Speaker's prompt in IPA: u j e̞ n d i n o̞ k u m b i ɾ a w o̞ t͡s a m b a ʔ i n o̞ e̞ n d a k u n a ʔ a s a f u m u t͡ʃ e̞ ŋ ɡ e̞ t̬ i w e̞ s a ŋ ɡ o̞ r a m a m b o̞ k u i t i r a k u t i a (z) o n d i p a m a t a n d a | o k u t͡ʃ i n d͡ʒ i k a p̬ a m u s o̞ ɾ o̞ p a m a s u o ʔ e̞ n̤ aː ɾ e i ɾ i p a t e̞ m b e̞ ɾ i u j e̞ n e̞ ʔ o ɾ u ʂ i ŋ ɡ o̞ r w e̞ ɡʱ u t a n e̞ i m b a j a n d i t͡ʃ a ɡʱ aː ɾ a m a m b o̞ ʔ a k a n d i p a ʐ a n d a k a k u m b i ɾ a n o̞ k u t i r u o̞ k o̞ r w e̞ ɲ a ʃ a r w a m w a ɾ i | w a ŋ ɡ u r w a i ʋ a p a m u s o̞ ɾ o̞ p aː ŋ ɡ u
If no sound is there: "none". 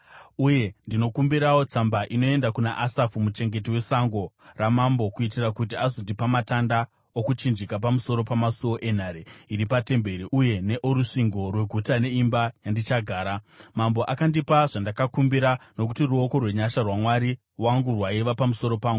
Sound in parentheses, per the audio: z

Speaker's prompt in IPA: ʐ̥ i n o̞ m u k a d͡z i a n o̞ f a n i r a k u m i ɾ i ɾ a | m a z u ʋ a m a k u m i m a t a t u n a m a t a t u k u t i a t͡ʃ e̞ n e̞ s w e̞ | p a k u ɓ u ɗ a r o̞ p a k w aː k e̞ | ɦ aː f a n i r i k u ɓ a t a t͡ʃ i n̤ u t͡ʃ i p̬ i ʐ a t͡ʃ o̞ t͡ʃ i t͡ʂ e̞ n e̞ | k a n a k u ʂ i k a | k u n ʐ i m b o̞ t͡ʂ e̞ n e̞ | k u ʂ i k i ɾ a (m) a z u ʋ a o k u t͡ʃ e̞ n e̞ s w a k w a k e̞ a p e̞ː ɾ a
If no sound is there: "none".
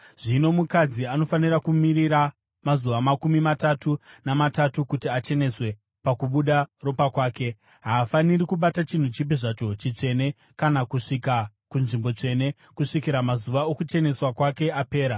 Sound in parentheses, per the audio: m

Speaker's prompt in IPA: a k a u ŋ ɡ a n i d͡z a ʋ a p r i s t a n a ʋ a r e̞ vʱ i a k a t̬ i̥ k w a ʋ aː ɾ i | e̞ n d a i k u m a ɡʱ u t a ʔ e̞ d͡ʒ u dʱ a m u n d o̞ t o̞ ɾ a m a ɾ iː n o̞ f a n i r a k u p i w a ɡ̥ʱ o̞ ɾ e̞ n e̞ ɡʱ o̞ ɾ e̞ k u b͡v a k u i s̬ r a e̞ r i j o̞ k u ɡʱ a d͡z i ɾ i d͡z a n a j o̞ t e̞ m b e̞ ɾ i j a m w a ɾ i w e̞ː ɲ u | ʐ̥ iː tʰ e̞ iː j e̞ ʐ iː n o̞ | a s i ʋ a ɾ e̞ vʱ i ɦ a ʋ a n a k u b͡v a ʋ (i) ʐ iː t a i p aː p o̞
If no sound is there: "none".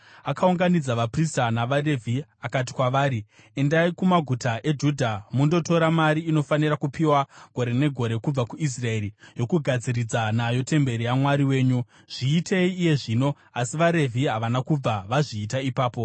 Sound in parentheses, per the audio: a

